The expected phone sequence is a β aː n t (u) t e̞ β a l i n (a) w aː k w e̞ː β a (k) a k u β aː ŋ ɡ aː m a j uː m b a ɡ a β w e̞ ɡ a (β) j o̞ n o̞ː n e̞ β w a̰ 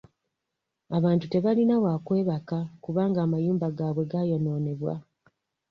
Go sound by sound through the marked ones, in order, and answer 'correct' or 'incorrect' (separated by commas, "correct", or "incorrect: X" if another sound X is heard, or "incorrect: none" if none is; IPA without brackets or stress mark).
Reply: correct, correct, correct, incorrect: none